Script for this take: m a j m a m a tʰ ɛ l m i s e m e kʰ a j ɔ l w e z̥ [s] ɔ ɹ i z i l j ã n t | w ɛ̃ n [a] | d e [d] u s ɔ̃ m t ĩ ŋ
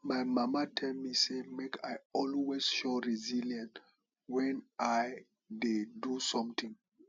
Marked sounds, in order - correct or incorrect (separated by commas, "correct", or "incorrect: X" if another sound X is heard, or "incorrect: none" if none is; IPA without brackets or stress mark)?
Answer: incorrect: ʃ, correct, correct